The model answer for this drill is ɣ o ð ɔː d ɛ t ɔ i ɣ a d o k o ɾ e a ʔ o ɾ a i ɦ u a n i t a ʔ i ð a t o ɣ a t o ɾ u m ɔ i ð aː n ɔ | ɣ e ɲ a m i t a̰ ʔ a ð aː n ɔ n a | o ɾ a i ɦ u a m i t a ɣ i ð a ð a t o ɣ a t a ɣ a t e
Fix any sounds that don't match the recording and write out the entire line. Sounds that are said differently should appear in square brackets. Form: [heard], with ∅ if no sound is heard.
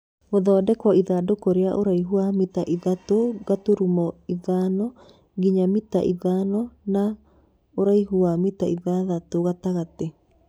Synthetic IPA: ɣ o ð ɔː d ɛ [k] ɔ i [ð] a d o k o ɾ e a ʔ o ɾ a i ɦ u a [m] i t a ʔ i ð a t o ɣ a t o ɾ u m ɔ i ð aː n ɔ | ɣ [i] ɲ a m i t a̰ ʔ [i] ð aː n ɔ n a | o ɾ a i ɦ u a m i t a [∅] i ð a ð a t o ɣ a t a ɣ a t e